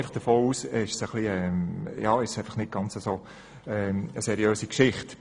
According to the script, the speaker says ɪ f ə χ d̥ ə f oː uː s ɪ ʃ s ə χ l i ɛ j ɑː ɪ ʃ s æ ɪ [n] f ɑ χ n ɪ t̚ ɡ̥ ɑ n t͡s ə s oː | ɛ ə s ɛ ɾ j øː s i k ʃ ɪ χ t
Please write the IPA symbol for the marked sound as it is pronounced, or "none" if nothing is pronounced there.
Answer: none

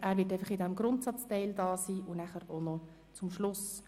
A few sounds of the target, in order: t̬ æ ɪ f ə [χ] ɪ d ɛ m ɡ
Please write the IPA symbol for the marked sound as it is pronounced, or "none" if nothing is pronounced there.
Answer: χ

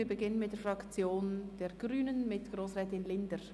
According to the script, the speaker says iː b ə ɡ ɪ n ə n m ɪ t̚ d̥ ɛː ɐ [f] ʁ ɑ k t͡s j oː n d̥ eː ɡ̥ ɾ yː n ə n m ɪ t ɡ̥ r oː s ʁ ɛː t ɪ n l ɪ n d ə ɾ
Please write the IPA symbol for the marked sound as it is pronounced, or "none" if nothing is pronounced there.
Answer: f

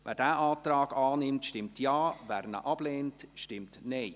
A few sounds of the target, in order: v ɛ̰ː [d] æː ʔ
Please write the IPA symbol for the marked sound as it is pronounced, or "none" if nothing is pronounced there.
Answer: d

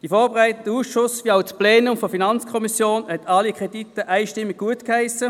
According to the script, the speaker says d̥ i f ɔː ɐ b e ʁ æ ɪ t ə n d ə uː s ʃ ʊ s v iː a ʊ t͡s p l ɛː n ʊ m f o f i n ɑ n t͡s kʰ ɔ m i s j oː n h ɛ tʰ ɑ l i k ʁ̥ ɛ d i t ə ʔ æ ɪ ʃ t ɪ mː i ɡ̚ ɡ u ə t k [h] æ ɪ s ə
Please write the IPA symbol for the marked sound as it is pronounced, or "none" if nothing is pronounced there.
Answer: h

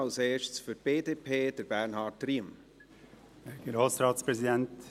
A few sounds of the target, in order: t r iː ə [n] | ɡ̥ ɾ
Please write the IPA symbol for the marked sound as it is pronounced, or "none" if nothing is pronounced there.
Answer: m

